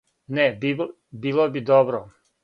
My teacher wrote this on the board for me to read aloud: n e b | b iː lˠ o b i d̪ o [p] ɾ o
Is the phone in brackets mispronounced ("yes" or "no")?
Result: yes